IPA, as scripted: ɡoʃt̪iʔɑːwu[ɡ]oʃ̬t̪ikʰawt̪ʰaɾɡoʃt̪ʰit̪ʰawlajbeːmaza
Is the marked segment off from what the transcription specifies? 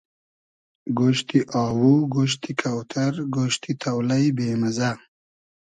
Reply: no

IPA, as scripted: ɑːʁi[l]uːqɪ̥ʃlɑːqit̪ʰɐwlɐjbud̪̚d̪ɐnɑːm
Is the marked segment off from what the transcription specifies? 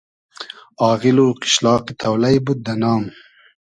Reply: no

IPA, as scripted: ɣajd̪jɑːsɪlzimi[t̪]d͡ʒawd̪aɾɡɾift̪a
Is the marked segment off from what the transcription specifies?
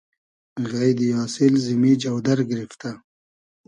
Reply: yes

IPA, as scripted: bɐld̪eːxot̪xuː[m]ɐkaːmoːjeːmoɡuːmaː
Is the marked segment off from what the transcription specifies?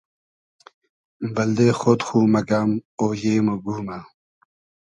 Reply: no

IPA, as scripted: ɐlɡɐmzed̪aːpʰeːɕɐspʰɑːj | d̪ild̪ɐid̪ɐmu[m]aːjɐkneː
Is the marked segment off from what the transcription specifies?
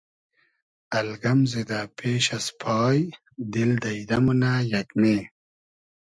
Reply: yes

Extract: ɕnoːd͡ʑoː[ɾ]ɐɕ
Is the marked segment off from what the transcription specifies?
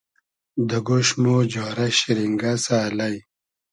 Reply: no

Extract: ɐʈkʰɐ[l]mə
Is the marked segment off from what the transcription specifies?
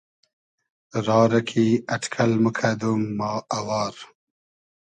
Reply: no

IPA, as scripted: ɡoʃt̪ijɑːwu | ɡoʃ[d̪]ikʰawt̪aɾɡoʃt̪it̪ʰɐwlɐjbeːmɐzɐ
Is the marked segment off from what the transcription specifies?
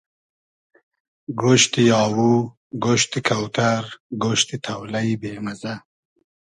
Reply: yes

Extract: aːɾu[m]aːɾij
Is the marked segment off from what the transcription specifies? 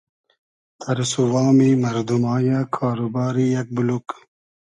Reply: yes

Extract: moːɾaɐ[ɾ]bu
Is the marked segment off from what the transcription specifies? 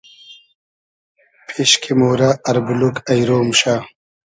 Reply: no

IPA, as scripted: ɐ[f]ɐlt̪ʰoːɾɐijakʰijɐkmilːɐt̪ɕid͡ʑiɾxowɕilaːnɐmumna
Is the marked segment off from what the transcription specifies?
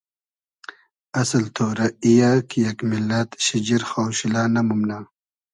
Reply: yes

